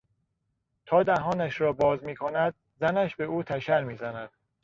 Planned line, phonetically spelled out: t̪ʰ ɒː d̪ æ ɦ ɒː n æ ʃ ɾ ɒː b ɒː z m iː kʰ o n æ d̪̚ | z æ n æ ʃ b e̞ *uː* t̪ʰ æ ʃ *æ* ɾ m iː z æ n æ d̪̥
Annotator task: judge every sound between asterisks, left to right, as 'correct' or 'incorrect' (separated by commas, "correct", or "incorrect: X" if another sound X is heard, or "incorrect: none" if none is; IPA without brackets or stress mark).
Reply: correct, correct